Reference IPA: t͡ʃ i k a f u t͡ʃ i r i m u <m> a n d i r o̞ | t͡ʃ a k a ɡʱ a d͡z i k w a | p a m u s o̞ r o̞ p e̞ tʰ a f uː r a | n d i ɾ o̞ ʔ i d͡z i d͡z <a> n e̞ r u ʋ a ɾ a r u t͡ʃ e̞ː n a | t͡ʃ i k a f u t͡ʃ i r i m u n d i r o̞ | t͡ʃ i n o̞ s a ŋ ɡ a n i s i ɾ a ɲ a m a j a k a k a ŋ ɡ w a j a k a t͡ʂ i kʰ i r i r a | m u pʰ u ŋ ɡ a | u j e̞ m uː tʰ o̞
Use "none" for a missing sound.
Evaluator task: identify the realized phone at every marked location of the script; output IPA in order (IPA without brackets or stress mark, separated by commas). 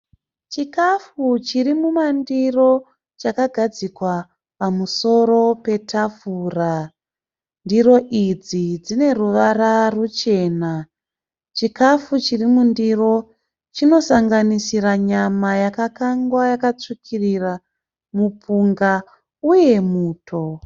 m, i